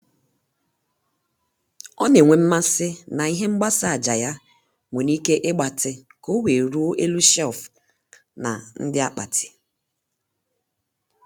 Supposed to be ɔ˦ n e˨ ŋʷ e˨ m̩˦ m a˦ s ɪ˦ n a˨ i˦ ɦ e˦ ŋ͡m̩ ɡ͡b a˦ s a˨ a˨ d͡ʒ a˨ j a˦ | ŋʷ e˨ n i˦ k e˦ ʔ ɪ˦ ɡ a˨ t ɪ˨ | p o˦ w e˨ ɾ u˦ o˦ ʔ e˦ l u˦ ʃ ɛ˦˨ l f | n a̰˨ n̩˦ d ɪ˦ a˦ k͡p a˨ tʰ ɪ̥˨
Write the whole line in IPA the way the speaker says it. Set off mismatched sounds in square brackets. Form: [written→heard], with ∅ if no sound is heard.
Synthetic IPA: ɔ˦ n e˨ ŋʷ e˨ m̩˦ m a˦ s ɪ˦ n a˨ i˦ ɦ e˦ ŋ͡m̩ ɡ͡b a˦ s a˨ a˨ d͡ʒ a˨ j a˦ | ŋʷ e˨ n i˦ k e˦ ʔ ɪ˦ [ɡ→ɡ͡b] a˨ t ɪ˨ | [p→k] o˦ w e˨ ɾ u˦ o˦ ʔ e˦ l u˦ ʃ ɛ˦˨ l f | n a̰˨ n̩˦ d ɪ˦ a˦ k͡p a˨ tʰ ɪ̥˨